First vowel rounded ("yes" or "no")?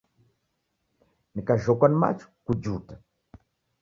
no